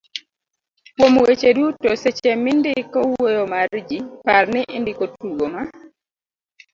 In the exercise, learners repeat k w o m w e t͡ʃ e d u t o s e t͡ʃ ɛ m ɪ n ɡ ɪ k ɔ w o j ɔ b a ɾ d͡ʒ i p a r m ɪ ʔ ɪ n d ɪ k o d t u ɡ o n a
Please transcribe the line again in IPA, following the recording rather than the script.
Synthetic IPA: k w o m w e t͡ʃ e d u t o s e t͡ʃ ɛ m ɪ n d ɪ k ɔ w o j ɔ m a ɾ d͡ʒ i p a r n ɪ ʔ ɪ n d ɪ k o t u ɡ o m a